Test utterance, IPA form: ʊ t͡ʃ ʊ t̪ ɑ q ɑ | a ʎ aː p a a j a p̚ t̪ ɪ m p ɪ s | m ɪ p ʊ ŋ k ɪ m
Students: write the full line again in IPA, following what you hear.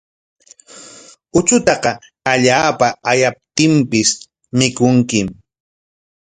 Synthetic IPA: ʊ t͡ʃ ʊ t̪ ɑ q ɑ | a ʎ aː p a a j a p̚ t̪ ɪ m p ɪ s | m ɪ k ʊ ŋ k ɪ m